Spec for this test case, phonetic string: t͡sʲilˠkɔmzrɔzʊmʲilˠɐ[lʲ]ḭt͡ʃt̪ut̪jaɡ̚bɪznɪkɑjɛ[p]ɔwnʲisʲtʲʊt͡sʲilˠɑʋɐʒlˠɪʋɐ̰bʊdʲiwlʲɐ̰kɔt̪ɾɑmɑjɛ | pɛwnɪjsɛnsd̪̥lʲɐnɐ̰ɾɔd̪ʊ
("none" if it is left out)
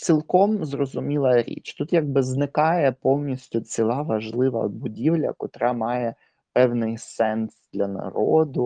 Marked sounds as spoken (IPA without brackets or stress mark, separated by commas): ɾʲ, p